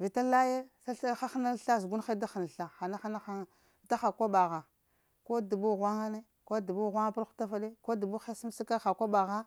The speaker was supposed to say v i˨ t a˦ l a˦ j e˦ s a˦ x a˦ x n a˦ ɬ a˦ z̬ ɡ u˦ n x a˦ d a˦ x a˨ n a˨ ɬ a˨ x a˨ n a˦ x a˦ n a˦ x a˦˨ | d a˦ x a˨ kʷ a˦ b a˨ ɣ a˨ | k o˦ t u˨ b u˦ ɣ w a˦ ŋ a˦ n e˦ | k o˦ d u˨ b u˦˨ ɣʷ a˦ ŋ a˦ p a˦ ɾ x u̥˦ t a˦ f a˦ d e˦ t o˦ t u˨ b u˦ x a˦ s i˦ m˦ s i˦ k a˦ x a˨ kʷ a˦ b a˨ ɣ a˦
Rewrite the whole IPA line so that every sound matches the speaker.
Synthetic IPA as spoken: v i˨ t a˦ l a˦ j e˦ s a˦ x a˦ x n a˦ ɬ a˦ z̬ ɡ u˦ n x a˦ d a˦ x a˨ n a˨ ɬ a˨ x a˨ n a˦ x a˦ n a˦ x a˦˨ | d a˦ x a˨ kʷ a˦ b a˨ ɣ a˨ | k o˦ d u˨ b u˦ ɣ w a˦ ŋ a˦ n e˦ | k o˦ d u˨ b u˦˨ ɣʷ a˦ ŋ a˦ p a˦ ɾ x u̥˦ t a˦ f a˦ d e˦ k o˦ d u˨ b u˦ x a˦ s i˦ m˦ s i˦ k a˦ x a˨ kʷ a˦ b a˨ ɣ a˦